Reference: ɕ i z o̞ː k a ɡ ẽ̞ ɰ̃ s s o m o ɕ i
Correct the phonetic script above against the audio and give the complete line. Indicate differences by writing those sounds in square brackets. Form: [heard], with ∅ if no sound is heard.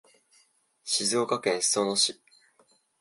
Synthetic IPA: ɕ i z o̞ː k a [k] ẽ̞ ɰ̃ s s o [n] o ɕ i